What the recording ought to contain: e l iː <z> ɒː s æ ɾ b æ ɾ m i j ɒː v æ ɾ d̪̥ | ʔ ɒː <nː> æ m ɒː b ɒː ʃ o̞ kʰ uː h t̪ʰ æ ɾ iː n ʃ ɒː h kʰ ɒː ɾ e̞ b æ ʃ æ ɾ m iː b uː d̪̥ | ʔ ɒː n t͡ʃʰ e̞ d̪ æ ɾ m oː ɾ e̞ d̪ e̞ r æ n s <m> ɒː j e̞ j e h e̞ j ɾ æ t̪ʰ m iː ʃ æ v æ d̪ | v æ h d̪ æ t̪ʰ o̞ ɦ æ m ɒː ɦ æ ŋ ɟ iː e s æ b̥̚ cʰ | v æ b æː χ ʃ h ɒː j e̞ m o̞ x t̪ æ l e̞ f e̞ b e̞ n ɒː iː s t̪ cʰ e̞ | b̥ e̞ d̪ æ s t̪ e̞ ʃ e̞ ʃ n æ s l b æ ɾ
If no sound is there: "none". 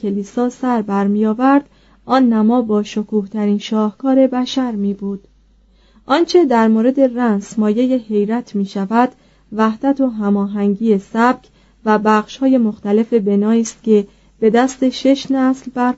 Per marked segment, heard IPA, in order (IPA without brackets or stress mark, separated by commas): s, nː, m